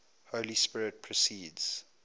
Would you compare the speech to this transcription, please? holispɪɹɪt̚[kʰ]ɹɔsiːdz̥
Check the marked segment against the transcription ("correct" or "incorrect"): incorrect